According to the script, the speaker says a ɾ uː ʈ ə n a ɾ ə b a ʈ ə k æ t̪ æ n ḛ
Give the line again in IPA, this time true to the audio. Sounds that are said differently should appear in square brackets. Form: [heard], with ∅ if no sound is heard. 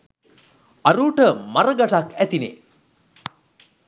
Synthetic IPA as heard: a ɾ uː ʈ ə [m] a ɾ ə [ɡ] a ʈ [a] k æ t̪ [i] n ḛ